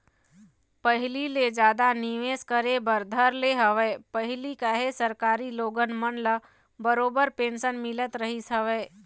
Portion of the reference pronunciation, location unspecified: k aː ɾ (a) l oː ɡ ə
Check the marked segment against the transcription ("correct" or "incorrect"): incorrect